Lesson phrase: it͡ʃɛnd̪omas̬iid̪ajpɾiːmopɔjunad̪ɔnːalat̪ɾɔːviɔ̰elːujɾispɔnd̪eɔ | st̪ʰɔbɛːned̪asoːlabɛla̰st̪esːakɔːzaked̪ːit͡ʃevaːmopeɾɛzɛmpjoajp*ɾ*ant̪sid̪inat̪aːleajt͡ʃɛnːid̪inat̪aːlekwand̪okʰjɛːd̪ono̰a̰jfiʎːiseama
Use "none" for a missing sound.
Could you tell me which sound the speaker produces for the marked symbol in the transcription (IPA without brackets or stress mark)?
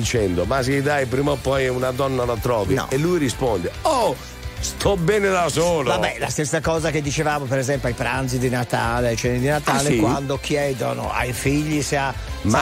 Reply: ɾ